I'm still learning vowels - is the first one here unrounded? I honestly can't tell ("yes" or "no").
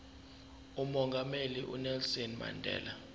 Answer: no